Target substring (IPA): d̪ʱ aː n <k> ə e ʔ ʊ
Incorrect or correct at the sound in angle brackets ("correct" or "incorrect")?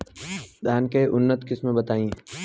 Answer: correct